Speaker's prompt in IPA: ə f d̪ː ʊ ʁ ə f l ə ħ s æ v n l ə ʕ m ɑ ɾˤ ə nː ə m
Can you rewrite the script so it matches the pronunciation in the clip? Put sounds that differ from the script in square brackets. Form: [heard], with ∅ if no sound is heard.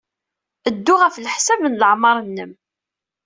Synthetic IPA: ə [∅] d̪ː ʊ ʁ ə f l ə ħ s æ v n l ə ʕ m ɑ ɾˤ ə nː ə m